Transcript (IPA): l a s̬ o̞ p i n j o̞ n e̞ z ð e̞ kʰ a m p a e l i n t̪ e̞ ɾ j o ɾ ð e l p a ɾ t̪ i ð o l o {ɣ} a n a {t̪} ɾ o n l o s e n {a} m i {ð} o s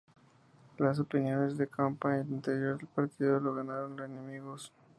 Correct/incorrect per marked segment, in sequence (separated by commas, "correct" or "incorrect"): correct, incorrect, incorrect, incorrect